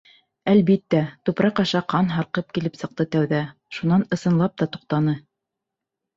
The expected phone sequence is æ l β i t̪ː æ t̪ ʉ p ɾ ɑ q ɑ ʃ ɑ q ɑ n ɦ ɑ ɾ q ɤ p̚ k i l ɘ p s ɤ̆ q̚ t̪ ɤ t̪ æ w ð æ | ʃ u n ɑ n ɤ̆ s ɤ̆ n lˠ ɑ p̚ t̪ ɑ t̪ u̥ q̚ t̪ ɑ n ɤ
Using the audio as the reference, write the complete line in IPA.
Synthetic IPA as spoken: æ l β i t̪ː æ t̪ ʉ p ɾ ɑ q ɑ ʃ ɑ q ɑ n ɦ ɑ ɾ q ɤ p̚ k i l ɘ p s ɤ̆ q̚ t̪ ɤ t̪ æ w ð æ | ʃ u n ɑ n ɤ̆ s ɤ̆ n lˠ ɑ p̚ t̪ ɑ t̪ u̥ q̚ t̪ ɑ n ɤ